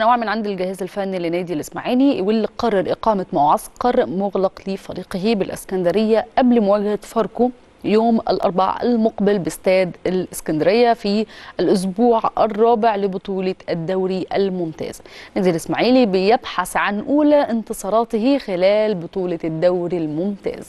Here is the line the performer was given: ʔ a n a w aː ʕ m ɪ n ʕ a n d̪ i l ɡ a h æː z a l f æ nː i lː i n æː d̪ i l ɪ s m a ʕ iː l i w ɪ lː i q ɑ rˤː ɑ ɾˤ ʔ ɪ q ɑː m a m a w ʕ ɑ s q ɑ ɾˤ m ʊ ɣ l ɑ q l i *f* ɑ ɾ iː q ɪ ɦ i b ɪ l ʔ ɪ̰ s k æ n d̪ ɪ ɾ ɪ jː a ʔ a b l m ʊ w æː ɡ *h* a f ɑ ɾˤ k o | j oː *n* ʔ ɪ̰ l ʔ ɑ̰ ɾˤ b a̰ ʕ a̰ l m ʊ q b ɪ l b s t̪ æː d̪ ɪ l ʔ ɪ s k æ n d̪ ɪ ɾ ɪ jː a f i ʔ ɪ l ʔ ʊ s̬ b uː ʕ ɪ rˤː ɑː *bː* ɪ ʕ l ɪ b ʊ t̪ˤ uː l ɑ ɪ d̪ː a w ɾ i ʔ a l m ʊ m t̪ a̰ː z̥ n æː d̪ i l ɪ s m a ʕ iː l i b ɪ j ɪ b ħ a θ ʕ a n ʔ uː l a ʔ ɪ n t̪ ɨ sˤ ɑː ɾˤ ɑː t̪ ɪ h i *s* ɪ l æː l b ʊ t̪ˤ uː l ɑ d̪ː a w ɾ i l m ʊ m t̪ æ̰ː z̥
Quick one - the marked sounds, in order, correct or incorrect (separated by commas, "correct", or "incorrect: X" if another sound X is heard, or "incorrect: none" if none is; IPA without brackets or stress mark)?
correct, correct, incorrect: m, incorrect: b, incorrect: x